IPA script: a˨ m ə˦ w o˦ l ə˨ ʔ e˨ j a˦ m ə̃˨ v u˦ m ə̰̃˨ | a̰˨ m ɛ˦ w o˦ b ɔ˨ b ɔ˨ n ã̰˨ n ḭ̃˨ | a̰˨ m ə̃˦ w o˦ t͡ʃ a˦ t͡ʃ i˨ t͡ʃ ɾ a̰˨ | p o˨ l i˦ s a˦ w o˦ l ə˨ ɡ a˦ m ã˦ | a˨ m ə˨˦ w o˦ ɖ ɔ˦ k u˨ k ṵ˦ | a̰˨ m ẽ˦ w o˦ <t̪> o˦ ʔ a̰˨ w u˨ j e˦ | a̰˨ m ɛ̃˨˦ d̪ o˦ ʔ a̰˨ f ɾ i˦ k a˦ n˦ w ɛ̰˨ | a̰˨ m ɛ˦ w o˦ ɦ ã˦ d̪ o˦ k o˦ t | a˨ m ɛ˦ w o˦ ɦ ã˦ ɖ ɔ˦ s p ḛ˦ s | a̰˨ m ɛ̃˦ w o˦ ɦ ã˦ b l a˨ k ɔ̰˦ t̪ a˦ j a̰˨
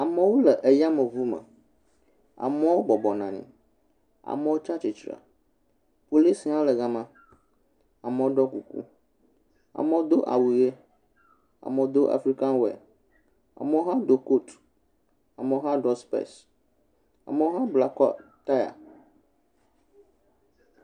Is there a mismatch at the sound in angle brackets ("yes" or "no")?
yes